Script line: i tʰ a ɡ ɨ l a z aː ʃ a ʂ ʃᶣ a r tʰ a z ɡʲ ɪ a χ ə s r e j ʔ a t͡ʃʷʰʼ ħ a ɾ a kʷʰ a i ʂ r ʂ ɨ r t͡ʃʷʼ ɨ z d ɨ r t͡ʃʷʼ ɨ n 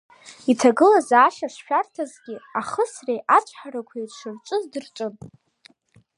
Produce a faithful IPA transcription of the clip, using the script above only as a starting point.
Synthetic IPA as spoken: i tʰ a ɡ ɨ l a z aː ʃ a ʂ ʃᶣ a r tʰ a z ɡʲ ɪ a χ ə s r e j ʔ a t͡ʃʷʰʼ ħ a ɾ a kʷʰ a i r ʂ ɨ r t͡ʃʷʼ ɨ z d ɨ r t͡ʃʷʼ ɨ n